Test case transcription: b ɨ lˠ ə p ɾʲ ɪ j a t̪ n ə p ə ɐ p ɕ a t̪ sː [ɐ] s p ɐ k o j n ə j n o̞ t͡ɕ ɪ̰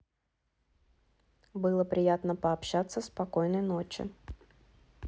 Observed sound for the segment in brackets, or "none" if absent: ə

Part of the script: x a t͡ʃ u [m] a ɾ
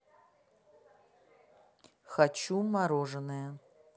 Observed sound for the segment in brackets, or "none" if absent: m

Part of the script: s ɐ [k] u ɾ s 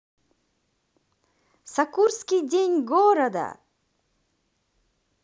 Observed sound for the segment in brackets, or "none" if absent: k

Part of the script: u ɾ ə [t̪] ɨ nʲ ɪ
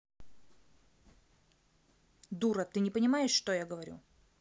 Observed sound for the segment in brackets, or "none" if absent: t̪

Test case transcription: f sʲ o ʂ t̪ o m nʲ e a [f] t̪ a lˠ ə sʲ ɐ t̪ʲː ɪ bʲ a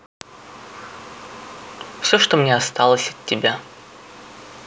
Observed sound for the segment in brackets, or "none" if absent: s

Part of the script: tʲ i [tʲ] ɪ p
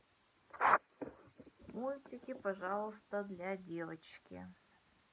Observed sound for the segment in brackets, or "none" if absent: kʲ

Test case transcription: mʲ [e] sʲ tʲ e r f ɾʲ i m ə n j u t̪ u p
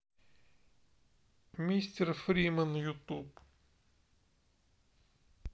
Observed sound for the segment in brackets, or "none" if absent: i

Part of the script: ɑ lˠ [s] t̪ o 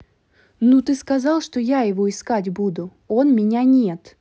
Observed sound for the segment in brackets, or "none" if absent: ʂ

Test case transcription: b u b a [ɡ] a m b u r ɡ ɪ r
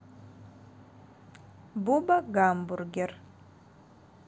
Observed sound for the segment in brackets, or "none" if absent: ɡ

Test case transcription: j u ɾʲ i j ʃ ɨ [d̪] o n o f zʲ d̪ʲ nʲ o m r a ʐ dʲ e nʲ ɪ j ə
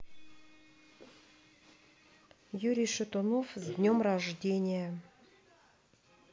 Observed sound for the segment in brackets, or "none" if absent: t̪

